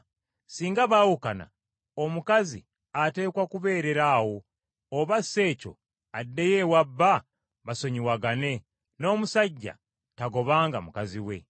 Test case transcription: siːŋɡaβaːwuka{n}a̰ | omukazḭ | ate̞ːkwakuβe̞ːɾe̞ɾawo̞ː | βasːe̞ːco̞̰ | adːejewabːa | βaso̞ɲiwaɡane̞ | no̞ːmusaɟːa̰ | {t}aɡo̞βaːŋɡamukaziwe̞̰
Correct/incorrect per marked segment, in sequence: correct, correct

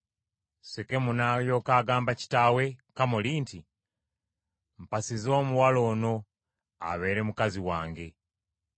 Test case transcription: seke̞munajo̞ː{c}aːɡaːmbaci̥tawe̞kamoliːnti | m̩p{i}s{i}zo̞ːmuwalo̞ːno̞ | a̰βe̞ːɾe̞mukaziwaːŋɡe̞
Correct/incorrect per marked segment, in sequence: incorrect: k, incorrect: a, correct

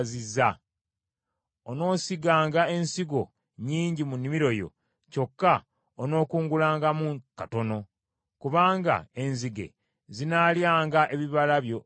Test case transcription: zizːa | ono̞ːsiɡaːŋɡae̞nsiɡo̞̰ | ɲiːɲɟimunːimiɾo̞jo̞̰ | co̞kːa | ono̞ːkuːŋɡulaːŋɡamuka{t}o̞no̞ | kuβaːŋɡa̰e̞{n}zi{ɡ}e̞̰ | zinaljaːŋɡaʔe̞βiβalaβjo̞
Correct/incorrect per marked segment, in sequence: correct, correct, correct

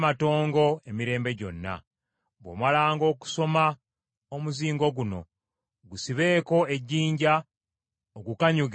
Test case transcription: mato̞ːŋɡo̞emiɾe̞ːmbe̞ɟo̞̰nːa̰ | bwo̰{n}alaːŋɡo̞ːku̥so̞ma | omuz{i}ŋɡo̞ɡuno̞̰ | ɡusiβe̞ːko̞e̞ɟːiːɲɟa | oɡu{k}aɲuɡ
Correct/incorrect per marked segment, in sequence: incorrect: m, incorrect: iː, correct

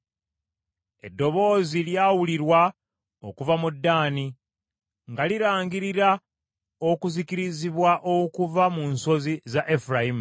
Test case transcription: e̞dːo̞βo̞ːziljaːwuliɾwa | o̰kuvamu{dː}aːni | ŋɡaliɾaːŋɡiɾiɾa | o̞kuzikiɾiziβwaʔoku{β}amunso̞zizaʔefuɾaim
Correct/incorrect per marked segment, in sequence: correct, incorrect: v

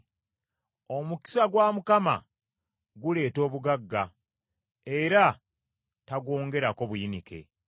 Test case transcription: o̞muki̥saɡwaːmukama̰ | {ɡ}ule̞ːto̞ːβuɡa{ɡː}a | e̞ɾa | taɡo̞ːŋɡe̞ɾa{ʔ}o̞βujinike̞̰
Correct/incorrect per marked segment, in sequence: correct, correct, incorrect: k

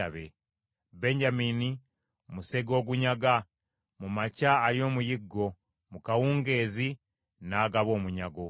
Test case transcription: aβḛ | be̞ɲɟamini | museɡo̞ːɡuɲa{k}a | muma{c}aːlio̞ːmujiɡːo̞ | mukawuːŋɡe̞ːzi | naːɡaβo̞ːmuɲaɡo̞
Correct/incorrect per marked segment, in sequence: incorrect: ɡ, correct

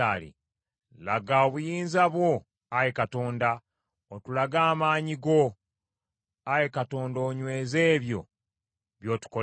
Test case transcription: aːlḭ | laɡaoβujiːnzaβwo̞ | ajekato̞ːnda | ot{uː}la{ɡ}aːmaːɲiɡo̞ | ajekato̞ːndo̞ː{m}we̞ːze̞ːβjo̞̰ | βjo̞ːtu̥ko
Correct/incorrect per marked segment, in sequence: incorrect: u, correct, incorrect: ɲ

